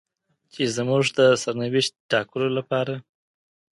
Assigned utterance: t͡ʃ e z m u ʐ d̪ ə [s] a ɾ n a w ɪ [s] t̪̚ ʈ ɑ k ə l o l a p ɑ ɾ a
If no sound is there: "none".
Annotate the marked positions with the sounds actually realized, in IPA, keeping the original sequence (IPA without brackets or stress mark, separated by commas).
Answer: s, ʃ